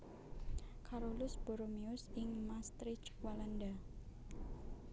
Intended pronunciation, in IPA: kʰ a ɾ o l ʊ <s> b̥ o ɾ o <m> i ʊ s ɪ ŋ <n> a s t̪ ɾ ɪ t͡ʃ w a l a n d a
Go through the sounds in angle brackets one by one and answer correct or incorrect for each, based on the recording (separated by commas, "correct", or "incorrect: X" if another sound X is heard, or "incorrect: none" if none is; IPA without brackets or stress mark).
correct, correct, incorrect: m